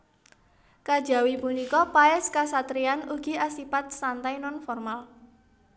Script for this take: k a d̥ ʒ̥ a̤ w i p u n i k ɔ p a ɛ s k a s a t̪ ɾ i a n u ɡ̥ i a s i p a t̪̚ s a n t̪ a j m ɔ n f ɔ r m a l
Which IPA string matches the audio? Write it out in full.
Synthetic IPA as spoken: k a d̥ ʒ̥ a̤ w i p u n i k ɔ p a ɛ s k a s a t̪ ɾ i a n u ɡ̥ i a s i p a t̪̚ s a n t̪ a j n ɔ n f ɔ r m a l